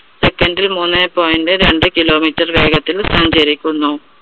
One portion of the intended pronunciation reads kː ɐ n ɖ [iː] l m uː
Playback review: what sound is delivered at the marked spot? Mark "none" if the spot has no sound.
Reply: i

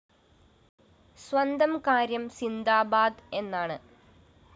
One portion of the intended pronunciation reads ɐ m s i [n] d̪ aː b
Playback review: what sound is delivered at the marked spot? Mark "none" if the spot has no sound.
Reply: n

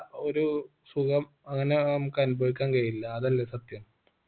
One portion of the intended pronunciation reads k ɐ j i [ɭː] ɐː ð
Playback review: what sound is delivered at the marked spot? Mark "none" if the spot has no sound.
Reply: lː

